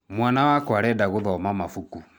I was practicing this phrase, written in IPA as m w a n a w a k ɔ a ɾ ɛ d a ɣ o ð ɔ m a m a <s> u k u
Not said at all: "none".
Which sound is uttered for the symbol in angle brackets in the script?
f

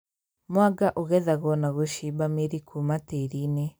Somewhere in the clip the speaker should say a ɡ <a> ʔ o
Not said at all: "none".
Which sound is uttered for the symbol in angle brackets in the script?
a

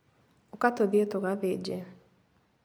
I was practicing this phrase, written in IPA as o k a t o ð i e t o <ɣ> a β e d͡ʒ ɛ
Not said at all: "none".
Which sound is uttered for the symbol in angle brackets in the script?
ɣ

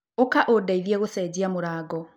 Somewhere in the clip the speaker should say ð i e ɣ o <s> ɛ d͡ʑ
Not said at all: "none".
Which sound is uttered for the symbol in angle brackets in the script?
s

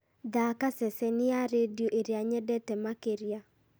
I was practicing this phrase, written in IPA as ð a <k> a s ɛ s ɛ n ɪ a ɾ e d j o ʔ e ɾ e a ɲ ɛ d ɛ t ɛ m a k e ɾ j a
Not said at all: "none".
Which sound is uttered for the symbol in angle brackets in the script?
k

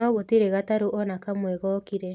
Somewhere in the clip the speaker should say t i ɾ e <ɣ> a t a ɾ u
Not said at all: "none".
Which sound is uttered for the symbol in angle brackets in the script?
ɣ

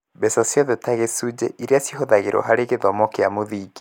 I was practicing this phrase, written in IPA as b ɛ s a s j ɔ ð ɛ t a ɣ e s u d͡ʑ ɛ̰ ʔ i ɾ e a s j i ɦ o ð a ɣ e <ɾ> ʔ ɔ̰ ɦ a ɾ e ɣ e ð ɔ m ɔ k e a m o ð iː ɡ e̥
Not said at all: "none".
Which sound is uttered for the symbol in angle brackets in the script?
ɾ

